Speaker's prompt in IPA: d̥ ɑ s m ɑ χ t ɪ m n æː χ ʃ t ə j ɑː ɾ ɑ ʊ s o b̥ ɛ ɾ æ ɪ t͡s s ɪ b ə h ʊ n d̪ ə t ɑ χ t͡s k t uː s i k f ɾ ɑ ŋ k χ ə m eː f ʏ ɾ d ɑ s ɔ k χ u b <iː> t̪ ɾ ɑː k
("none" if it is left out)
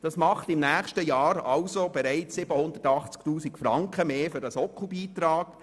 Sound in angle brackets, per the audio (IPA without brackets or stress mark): iː